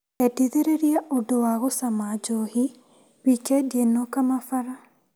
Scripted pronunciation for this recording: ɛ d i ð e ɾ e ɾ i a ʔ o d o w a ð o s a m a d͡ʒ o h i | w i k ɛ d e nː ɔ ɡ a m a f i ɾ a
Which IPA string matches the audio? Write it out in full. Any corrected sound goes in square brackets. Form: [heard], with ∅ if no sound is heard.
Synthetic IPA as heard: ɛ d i ð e ɾ e ɾ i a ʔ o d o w a [ɣ] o s a m a d͡ʒ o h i | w i k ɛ d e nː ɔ [k] a m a f [a] ɾ a